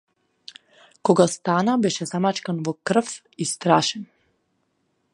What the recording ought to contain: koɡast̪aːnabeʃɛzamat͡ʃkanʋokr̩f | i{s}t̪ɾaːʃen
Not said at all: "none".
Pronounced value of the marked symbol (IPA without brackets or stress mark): s